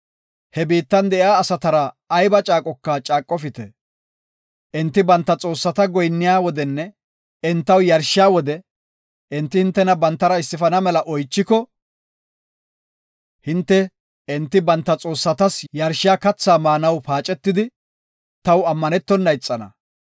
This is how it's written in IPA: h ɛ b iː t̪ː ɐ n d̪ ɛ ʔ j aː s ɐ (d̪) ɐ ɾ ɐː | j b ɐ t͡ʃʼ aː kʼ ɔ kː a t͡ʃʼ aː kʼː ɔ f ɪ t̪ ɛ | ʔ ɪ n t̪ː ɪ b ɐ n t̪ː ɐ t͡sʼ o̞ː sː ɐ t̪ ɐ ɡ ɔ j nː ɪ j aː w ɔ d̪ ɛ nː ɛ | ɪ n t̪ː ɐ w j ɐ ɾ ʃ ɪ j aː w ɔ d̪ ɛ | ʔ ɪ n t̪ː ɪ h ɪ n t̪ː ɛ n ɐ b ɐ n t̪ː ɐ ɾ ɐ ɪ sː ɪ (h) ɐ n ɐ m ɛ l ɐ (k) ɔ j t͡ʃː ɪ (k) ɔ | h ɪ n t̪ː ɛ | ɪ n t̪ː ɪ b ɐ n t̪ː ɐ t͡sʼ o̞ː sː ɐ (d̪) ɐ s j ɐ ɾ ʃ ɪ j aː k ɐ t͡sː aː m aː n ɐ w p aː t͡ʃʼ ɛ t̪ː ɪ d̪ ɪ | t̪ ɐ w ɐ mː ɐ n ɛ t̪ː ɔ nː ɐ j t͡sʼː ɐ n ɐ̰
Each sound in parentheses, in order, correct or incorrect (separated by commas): incorrect, incorrect, incorrect, correct, incorrect